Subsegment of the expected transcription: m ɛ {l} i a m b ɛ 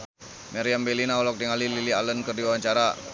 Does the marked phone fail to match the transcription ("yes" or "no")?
yes